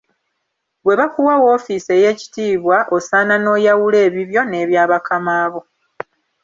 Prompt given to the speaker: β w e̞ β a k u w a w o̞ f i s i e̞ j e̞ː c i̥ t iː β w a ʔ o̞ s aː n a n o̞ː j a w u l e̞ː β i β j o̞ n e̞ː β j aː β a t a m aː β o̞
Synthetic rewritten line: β w e̞ β a k u w a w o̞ f i s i e̞ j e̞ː c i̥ t iː β w a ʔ o̞ s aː n a n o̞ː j a w u l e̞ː β i β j o̞ n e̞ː β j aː β a k a m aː β o̞